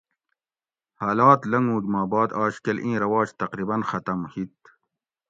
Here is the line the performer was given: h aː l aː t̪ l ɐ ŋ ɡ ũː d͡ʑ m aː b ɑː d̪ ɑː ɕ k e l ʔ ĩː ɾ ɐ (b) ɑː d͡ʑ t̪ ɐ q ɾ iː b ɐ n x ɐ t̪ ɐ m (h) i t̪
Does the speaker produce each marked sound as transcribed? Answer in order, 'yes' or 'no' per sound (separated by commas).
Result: no, yes